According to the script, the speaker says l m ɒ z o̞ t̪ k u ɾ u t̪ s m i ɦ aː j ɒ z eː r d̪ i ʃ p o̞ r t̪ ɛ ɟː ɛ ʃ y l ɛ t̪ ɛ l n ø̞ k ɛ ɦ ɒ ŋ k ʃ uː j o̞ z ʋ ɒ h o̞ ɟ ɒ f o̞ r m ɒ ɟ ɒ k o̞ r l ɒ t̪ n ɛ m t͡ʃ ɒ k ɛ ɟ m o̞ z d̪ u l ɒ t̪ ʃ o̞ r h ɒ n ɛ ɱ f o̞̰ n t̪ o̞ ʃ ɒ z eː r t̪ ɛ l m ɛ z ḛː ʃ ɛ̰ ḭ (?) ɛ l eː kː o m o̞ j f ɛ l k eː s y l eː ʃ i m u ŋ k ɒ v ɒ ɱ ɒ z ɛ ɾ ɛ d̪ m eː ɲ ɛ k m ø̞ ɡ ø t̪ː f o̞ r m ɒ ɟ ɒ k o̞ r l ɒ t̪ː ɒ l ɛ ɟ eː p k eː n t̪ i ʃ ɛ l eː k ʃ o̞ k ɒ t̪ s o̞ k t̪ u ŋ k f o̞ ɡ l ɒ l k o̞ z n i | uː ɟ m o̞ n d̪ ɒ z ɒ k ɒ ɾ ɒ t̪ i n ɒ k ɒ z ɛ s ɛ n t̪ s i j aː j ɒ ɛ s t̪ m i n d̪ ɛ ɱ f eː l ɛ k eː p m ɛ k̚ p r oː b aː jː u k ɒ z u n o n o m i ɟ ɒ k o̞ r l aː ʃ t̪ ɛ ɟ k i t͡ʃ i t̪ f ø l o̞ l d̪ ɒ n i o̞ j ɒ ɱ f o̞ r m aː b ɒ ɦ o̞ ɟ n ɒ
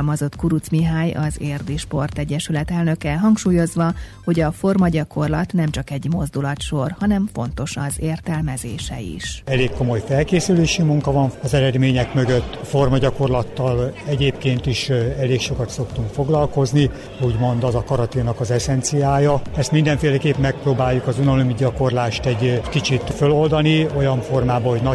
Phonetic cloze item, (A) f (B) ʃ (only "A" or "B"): B